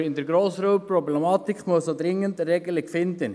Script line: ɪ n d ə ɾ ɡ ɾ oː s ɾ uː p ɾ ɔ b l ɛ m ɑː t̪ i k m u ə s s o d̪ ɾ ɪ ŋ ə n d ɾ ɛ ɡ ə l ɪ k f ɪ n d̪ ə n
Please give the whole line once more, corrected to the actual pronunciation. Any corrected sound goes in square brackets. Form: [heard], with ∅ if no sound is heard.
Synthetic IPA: ɪ n d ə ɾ ɡ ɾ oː s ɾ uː p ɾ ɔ b l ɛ m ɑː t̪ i k m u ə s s o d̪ ɾ ɪ ŋ ə n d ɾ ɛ ɡ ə l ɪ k f ɪ n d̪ ə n